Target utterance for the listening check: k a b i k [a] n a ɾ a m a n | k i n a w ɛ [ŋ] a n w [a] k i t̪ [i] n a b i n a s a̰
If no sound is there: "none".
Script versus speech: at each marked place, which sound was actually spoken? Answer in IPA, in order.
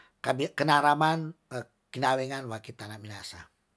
ə, ŋ, a, a

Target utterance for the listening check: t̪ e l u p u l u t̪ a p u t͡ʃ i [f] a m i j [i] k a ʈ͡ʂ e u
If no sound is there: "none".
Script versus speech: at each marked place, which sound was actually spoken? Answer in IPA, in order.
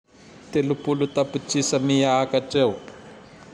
s, a

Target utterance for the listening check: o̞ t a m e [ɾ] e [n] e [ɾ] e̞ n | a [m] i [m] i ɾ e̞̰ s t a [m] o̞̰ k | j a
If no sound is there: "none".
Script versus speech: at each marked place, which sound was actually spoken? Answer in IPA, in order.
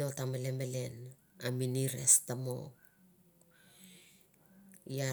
l, m, l, m, n, m

